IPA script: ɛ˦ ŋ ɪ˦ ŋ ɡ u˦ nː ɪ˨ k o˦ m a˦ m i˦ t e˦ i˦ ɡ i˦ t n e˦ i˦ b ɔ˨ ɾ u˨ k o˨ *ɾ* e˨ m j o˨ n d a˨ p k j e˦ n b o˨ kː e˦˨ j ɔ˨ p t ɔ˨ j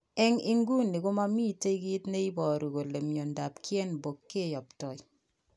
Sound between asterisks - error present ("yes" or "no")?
yes